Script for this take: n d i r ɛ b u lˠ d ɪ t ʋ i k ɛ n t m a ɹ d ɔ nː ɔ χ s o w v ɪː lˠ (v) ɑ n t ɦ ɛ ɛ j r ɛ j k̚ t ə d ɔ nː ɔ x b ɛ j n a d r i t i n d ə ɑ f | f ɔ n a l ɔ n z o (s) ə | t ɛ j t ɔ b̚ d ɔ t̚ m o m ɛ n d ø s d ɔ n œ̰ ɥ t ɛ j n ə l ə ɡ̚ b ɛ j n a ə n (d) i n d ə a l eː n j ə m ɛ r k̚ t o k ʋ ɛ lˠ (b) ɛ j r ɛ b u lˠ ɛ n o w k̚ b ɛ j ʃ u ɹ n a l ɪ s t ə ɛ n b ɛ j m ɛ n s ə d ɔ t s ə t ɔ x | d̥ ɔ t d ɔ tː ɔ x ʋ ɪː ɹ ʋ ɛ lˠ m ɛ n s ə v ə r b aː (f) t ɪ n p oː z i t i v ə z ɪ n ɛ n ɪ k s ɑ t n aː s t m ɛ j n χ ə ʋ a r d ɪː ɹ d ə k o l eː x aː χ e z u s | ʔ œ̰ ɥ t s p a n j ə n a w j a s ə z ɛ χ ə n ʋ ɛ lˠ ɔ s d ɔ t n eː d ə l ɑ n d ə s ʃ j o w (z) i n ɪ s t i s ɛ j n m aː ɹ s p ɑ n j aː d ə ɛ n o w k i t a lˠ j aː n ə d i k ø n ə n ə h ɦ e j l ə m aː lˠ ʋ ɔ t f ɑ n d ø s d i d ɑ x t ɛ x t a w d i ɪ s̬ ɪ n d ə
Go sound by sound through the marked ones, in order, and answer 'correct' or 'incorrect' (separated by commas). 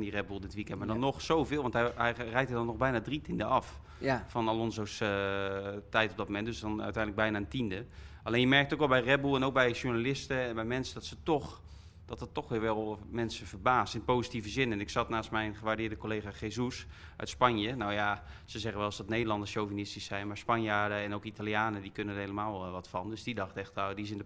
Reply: incorrect, correct, incorrect, correct, incorrect, incorrect